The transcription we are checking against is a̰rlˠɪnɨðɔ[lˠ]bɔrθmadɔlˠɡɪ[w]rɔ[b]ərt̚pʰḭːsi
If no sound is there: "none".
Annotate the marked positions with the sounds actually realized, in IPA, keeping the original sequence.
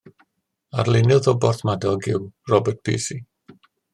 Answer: none, w, b

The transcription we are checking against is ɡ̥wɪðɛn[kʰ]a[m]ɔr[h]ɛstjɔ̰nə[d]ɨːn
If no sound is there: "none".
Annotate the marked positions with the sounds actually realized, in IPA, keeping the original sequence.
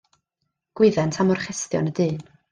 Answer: tʰ, m, χ, d

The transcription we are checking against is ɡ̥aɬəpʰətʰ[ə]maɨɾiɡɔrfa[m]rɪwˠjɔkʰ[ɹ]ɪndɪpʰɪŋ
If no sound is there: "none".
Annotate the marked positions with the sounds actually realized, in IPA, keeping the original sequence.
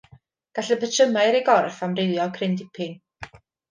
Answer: ə, m, r

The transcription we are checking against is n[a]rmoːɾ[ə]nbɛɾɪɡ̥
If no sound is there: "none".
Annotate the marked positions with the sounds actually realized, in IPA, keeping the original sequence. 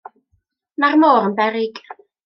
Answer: a, ə

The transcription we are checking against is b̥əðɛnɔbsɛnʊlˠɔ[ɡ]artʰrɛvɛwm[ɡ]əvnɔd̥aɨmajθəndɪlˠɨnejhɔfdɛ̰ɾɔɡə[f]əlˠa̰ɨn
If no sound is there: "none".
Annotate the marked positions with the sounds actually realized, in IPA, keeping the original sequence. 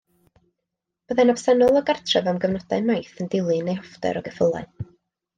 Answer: ɡ, ɡ, f

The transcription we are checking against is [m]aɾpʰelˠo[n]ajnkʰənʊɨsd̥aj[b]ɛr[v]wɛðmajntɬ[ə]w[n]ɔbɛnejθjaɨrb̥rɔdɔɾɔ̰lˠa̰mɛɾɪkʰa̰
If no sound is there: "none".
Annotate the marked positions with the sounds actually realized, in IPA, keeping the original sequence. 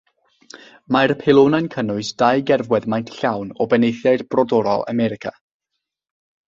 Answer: m, n, ɡ, v, a, n

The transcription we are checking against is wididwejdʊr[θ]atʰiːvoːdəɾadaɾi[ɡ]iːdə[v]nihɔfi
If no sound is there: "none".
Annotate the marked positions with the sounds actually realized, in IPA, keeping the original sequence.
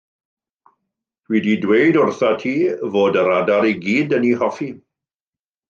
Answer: θ, ɡ, none

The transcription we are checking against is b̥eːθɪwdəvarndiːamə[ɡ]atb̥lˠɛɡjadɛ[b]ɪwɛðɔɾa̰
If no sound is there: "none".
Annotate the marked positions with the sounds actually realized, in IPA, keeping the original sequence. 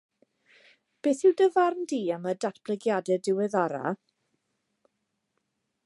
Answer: d, d

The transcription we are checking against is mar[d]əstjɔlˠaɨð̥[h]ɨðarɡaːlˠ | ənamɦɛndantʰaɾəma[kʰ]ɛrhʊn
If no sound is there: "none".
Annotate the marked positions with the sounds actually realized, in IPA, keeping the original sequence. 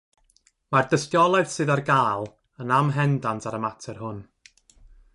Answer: d, s, tʰ

